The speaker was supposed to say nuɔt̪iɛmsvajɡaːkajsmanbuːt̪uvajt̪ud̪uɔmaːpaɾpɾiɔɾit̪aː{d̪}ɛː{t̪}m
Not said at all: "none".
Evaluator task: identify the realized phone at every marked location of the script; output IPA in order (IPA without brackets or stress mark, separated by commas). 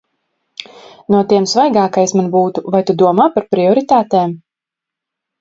t̪, none